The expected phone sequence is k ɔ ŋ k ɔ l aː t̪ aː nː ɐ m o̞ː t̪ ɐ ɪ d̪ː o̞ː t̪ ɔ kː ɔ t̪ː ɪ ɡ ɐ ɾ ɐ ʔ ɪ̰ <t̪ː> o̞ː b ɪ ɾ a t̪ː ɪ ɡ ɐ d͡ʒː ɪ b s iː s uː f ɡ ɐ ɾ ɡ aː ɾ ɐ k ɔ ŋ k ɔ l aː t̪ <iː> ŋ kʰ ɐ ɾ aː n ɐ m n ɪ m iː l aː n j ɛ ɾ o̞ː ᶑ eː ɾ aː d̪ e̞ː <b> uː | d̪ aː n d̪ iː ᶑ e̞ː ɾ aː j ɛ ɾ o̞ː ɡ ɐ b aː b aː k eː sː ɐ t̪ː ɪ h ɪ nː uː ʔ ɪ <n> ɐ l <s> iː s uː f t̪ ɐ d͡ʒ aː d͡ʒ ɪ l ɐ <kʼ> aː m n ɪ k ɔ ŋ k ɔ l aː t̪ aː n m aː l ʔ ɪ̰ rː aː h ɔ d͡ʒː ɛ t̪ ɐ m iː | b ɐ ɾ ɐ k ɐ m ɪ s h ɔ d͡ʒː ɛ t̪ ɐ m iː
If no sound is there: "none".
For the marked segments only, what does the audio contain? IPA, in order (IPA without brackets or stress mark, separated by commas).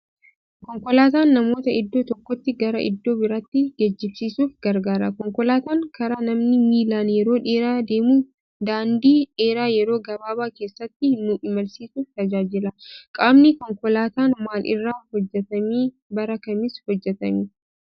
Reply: d̪ː, aː, m, m, s, kʼ